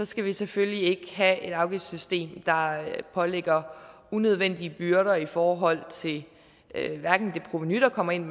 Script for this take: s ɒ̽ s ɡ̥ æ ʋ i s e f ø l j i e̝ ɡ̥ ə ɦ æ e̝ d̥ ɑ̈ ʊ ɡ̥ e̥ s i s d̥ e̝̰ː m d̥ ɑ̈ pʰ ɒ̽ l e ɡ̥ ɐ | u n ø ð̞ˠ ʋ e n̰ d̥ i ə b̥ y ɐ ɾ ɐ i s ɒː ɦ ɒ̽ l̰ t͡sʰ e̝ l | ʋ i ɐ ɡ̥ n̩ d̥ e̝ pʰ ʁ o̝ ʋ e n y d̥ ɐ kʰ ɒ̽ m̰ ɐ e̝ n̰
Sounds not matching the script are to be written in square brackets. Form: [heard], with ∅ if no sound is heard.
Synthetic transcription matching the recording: s ɒ̽ s ɡ̥ æ ʋ i s e f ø l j i e̝ ɡ̥ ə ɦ æ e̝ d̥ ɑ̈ ʊ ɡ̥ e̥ s [y] s d̥ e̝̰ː m d̥ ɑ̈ pʰ ɒ̽ l e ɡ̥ ɐ | u n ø ð̞ˠ ʋ e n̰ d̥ i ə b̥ y ɐ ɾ ɐ i [f] ɒː ɦ ɒ̽ l̰ t͡sʰ e̝ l | ʋ [æ] ɐ ɡ̥ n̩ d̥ e̝ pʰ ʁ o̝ ʋ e n y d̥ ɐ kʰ ɒ̽ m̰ ɐ e̝ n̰